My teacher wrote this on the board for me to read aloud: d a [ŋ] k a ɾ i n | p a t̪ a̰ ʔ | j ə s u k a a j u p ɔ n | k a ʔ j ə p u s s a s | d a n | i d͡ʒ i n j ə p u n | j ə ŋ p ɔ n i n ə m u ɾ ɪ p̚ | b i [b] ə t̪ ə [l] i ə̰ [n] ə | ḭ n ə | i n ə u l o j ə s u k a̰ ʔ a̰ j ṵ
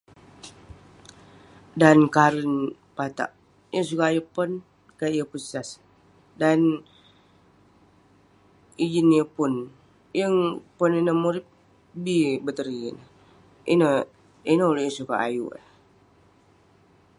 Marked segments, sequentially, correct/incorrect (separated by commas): incorrect, correct, incorrect, correct